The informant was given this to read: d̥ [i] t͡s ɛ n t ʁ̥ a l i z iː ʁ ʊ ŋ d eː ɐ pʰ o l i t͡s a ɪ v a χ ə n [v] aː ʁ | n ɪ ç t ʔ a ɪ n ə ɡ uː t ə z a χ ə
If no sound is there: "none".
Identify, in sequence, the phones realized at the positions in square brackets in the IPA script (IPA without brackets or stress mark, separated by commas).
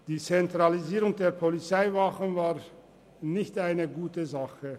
iː, v